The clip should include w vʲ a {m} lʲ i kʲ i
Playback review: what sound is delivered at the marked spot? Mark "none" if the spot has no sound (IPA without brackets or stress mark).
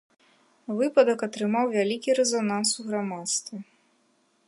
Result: none